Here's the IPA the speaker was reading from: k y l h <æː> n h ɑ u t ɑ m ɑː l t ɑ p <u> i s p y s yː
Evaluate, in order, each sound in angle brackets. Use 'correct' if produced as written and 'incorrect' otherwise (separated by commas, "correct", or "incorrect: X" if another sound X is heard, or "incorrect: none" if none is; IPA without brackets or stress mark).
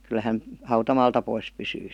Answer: incorrect: æ, incorrect: o